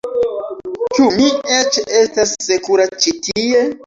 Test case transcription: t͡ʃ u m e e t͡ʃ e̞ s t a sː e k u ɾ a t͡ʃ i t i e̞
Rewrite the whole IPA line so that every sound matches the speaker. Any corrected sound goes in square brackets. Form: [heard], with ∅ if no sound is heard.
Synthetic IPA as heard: t͡ʃ u m [i] e t͡ʃ e̞ s t a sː e k u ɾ a t͡ʃ i t i e̞